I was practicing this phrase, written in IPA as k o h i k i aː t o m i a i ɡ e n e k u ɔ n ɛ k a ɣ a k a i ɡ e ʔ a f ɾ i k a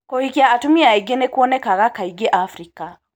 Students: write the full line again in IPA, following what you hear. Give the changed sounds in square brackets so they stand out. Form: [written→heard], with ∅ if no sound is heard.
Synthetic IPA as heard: k o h i k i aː t [o→u] m i a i ɡ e n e k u ɔ n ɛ k a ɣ a k a i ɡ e ʔ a f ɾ i k a